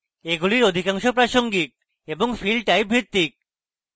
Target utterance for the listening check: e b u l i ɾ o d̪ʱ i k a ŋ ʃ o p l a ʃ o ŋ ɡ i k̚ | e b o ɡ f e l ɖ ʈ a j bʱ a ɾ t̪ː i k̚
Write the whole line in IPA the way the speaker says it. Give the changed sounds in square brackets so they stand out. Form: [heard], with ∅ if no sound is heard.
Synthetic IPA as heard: e [ɡ] u l i ɾ o d̪ʱ i k a ŋ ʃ o p [ɾ] a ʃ o ŋ ɡ i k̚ | e b o [ŋ] f [i] l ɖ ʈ a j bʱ [i] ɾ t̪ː i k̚